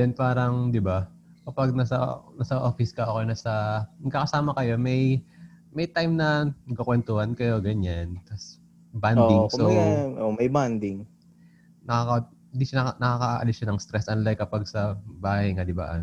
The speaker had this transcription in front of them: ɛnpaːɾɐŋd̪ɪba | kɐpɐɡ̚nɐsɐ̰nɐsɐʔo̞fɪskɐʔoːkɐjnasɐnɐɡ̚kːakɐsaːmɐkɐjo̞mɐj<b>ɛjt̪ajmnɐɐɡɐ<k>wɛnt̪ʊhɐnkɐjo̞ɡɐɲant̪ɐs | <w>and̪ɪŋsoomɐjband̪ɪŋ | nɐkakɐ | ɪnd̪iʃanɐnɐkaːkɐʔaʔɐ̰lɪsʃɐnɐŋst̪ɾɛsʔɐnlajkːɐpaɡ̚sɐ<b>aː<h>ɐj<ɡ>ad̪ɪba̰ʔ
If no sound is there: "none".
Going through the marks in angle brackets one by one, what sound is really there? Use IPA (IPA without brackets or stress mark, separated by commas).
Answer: m, k, b, b, h, ŋ